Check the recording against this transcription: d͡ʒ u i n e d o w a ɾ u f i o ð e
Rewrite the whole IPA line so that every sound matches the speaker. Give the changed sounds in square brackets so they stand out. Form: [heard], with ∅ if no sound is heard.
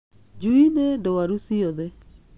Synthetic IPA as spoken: d͡ʒ u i n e d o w a ɾ u [s] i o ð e